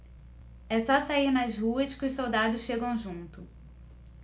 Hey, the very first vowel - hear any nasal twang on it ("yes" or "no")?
no